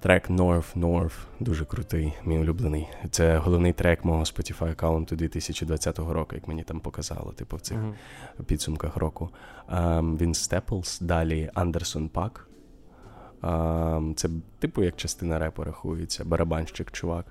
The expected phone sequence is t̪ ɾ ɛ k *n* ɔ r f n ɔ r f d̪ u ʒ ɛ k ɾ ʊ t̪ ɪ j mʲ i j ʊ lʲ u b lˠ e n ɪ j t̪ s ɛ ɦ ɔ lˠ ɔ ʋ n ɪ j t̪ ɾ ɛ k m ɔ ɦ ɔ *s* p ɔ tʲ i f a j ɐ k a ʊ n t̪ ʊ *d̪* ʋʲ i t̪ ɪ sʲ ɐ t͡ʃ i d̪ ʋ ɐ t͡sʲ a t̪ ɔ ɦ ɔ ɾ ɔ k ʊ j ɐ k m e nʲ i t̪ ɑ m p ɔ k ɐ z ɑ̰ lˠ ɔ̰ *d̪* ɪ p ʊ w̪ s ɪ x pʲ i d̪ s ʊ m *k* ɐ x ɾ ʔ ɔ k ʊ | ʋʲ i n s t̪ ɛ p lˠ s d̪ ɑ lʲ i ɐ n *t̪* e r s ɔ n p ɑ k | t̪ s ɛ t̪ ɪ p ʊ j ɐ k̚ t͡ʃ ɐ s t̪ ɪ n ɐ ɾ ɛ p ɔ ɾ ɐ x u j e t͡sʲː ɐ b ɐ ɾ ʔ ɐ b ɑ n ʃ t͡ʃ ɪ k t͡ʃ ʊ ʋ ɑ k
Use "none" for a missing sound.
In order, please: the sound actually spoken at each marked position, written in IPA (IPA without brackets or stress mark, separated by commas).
n, s, d̪, t̪, k, d̪